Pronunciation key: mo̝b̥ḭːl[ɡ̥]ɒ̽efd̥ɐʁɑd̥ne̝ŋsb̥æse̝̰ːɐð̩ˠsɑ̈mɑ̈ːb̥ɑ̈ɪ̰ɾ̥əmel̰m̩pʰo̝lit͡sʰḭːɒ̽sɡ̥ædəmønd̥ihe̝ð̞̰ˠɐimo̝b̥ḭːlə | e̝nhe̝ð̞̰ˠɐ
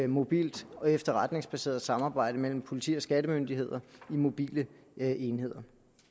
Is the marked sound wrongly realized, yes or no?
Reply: yes